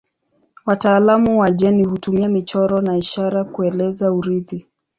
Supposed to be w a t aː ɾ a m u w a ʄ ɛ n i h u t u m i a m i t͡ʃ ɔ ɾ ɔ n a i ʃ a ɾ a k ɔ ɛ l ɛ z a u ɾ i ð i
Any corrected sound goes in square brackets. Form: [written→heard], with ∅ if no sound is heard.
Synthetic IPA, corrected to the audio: w a t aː [ɾ→l] a m u w a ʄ ɛ n i h u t u m i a m i t͡ʃ ɔ ɾ ɔ n a i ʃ a ɾ a k [ɔ→u] ɛ l ɛ z a u ɾ i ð i